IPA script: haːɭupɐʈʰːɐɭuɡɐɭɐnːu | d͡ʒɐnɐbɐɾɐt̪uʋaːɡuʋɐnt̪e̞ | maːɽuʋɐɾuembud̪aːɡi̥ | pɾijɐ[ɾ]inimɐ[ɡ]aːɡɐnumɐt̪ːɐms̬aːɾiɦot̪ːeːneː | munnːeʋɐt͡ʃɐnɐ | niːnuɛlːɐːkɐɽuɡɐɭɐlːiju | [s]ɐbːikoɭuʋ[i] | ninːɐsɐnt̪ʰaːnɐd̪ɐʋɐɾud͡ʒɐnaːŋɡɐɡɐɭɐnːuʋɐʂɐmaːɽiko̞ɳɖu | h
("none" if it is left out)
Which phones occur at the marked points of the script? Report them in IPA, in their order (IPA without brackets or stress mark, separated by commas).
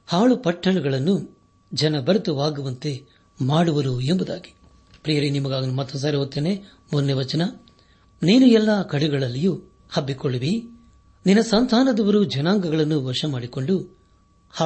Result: ɾ, ɡ, h, i